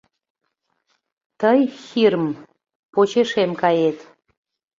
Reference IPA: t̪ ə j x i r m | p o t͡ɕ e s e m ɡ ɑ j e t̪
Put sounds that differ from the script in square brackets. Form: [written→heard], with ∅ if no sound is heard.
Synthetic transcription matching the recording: t̪ ə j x i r m | p o t͡ɕ e [s→ʃ] e m [ɡ→k] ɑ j e t̪